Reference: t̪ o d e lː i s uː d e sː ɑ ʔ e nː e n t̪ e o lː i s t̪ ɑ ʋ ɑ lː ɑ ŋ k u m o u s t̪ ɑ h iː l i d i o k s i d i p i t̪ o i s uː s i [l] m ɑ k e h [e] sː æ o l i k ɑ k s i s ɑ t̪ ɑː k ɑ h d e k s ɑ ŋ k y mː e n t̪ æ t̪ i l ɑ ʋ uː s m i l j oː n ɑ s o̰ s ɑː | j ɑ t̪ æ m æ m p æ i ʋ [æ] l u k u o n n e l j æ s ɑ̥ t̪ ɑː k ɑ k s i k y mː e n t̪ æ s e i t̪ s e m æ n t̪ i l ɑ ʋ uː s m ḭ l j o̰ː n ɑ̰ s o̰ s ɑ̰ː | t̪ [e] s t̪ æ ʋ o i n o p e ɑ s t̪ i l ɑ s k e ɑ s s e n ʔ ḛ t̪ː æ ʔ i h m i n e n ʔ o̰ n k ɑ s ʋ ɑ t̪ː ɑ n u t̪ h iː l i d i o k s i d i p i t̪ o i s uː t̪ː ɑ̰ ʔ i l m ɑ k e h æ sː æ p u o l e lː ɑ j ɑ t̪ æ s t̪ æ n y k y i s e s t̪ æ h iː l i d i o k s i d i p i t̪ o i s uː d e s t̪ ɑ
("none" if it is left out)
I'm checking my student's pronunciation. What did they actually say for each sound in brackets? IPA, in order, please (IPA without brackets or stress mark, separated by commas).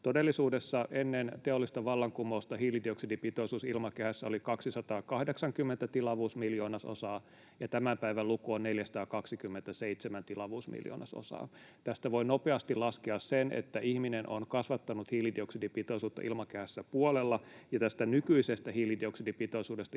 l, æ, æ, æ